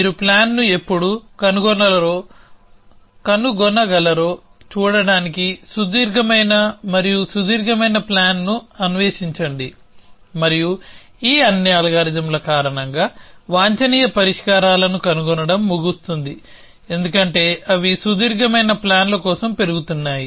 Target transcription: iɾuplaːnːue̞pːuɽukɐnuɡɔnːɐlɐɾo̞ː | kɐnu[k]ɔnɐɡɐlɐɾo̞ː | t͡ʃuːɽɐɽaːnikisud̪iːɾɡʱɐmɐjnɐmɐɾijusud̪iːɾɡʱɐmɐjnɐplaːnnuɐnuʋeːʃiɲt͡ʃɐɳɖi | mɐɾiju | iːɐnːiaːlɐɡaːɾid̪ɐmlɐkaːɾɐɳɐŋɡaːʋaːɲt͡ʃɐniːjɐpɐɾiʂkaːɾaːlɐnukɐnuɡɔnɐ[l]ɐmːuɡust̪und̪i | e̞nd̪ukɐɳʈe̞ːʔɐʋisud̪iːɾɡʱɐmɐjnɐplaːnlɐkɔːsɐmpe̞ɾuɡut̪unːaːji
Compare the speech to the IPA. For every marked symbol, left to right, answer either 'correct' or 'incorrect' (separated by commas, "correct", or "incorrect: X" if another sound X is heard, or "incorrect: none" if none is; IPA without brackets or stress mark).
incorrect: ɡ, incorrect: ɽ